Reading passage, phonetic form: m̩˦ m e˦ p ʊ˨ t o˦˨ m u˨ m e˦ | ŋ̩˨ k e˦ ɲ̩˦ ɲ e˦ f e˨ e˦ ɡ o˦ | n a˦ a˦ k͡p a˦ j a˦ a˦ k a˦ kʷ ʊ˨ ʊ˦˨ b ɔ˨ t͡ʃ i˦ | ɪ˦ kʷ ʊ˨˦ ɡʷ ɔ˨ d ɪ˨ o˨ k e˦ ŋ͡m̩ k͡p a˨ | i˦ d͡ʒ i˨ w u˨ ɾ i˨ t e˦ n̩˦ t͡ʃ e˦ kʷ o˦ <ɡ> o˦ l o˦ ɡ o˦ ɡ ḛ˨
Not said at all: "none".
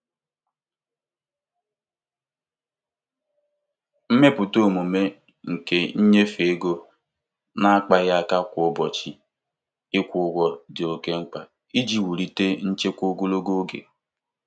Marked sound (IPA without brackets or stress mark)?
ɡ